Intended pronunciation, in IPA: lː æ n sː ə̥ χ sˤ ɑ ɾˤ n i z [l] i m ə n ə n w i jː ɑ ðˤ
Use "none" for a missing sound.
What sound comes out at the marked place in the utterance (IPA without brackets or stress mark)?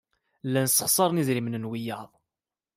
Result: ɾ